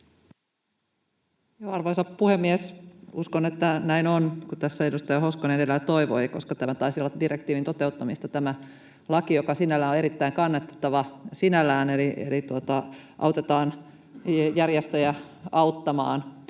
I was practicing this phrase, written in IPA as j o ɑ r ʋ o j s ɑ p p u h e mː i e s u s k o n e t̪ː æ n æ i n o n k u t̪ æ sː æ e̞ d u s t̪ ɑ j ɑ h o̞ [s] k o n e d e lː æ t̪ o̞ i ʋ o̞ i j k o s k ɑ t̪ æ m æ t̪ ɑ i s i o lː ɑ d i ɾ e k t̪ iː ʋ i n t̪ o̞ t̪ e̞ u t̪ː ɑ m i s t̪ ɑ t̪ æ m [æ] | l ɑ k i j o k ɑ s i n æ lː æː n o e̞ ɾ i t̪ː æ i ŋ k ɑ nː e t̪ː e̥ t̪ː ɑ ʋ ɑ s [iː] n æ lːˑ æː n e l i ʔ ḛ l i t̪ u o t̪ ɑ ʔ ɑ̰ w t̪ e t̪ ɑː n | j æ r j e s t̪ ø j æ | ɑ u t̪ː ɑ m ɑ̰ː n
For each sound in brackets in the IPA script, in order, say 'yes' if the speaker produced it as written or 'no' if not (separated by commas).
yes, yes, no